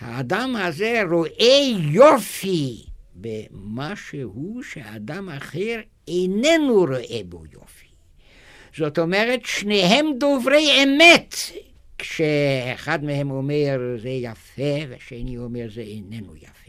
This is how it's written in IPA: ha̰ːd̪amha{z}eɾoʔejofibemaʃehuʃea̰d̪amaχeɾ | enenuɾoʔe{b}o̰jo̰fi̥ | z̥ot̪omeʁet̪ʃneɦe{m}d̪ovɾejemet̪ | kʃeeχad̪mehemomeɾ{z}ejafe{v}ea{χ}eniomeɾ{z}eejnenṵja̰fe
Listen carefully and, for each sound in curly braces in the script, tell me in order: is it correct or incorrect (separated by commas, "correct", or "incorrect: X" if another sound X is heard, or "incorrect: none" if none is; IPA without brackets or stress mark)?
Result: correct, correct, correct, correct, correct, incorrect: ʃ, correct